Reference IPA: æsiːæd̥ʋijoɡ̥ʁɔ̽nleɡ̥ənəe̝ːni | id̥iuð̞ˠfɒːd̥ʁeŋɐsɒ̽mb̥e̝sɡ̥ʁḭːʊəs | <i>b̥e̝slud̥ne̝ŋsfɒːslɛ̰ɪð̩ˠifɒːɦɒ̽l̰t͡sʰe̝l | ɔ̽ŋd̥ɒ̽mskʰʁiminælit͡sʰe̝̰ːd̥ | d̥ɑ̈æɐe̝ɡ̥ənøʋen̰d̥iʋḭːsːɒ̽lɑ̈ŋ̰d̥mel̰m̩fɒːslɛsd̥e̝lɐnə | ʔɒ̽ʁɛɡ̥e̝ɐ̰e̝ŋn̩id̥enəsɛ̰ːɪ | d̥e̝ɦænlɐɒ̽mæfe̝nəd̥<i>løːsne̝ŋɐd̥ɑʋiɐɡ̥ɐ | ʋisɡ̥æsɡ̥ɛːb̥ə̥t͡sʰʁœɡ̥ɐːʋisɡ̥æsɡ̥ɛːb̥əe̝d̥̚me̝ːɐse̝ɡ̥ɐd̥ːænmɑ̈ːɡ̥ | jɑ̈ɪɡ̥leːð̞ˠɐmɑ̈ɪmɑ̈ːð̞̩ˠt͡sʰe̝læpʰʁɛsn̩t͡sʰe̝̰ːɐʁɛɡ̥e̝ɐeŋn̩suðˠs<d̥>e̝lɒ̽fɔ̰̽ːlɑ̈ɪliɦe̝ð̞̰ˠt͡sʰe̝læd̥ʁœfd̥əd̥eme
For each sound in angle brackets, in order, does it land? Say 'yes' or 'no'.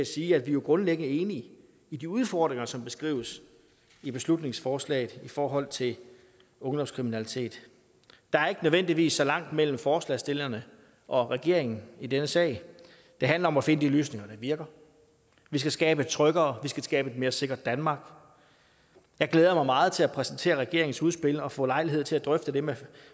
yes, yes, no

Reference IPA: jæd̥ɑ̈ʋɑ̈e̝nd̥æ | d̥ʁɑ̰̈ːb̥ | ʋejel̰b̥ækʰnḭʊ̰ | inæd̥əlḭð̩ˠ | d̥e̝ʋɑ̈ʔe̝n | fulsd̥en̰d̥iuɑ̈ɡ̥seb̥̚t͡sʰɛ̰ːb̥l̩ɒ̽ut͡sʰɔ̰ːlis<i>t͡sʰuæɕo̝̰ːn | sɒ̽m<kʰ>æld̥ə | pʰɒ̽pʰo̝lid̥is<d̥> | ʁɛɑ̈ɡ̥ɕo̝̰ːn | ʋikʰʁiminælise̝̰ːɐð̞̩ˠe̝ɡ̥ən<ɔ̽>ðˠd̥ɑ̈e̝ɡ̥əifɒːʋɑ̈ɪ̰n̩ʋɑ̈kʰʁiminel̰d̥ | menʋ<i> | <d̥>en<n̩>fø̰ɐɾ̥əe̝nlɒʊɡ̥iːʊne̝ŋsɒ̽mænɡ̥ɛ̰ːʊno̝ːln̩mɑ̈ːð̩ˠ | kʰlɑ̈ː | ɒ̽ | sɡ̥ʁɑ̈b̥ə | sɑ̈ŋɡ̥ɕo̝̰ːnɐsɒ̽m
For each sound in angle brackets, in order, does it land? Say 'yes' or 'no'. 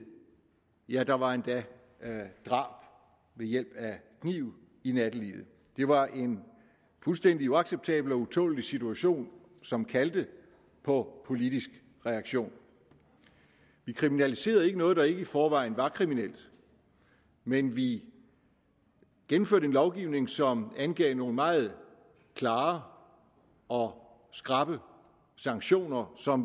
yes, yes, no, no, yes, no, no

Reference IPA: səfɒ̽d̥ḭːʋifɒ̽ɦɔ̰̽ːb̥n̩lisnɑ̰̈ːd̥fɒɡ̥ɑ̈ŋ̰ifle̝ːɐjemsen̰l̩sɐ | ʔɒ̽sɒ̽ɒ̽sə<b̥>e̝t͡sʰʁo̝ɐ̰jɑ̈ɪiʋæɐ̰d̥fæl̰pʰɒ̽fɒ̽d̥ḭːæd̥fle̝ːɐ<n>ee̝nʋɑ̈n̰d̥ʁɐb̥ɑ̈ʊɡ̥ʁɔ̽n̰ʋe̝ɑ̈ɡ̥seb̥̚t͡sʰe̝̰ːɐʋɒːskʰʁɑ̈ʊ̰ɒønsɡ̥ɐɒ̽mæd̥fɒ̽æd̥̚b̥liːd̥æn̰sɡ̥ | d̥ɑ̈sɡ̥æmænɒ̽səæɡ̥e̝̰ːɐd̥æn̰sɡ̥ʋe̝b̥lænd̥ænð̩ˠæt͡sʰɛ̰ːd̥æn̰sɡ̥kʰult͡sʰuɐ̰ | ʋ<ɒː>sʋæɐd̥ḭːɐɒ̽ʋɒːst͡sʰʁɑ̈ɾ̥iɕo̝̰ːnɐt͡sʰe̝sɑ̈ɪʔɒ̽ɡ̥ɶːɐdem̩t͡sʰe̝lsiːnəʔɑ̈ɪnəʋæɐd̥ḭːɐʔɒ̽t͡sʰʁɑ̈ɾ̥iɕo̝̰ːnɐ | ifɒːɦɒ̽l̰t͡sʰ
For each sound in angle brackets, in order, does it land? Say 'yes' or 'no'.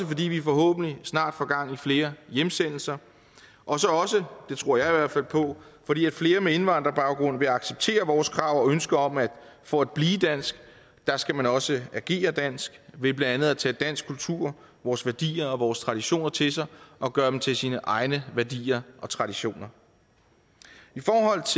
no, no, yes

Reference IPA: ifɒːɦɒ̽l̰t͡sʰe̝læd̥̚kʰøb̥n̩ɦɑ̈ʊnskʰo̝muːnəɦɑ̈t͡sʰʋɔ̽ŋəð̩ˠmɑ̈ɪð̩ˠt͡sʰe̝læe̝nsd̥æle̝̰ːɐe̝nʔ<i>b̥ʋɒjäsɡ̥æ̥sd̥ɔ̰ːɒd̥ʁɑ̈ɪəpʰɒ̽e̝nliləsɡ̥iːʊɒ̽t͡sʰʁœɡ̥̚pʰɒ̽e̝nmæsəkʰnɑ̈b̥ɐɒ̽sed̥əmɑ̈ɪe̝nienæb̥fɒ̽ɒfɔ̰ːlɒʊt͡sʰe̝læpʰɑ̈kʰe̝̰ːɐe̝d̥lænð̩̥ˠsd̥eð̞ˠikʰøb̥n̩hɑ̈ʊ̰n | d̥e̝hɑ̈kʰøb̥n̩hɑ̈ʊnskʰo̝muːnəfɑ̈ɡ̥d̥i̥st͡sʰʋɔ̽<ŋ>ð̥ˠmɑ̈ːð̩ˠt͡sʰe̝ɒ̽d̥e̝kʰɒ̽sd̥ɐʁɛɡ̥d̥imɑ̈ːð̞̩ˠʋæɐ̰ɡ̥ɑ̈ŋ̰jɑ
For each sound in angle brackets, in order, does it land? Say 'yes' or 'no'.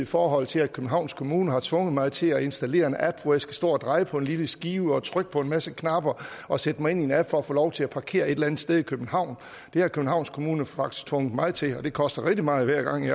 no, yes

